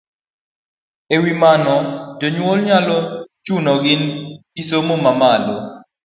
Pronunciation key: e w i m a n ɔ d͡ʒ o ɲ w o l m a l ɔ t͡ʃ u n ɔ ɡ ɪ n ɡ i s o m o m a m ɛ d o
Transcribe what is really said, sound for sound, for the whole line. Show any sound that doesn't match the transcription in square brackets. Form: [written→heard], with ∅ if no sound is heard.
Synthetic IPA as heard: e w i m a n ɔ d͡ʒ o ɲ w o l [m→ɲ] a l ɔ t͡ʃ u n ɔ ɡ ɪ n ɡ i s o m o m a m [ɛ→a] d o